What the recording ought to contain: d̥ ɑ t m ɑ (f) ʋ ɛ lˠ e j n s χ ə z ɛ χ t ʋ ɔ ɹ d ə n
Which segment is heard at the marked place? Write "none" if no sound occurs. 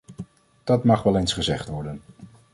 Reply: χ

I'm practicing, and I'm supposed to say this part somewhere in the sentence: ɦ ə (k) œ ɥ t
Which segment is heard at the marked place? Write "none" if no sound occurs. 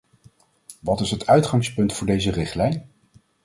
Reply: t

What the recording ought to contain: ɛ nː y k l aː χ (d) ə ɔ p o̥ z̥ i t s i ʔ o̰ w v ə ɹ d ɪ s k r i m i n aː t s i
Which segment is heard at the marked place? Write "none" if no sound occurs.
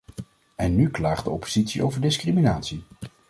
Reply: d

